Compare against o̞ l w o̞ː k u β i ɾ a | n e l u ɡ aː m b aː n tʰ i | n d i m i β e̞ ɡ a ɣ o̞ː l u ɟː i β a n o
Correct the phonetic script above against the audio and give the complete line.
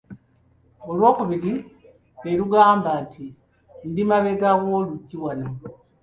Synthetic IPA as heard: o̞ l w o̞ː k u β i ɾ i | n e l u ɡ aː m b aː n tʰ i | n d i m a β e̞ ɡ a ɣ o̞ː l u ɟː i w a n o